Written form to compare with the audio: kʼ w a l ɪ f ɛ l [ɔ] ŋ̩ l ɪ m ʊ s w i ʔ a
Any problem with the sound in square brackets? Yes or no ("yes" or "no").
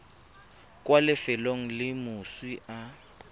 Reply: yes